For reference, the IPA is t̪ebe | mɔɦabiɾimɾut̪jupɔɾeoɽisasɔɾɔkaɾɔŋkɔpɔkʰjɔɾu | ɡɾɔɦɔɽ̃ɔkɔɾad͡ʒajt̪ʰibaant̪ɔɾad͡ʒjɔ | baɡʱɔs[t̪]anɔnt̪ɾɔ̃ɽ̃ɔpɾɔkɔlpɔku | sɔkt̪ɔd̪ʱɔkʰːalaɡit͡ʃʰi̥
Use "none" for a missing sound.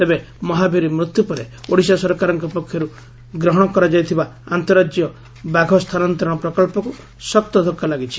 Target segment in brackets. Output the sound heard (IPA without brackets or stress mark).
t̪ʰ